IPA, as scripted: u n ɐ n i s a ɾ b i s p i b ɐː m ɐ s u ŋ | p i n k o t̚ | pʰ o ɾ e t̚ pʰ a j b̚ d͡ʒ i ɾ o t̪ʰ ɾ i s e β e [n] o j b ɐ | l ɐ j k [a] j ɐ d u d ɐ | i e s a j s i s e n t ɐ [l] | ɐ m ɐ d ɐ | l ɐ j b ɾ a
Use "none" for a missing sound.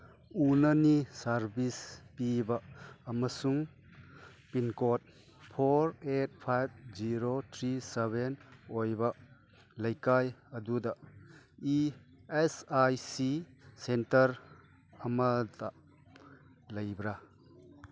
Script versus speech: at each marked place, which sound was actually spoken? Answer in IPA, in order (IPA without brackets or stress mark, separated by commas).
n, a, ɾ